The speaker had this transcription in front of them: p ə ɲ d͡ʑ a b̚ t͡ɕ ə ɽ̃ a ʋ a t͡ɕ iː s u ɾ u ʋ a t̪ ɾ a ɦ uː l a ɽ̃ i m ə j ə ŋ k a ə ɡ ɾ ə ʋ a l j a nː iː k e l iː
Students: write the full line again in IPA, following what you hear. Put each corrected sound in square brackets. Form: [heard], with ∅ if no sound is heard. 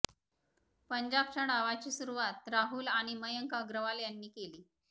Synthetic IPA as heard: p ə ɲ d͡ʑ a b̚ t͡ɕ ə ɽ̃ a ʋ a t͡ɕ iː s u ɾ u ʋ a t̪ ɾ a ɦ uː l a ɽ̃ i m ə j ə ŋ k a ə ɡ ɾ ə ʋ a l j a nː iː k e l iː